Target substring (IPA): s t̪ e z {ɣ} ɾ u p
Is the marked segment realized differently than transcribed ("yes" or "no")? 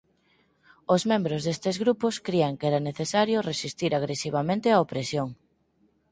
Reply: no